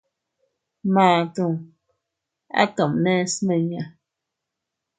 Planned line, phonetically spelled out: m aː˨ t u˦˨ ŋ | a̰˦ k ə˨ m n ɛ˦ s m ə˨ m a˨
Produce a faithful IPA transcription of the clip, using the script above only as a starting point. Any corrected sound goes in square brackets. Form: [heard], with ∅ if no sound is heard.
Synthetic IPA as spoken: m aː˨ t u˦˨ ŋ | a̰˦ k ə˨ m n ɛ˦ s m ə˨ [ɲ] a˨